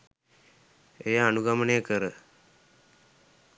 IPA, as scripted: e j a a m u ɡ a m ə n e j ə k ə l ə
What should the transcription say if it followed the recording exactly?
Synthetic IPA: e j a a n u ɡ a m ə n e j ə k ə ɾ ə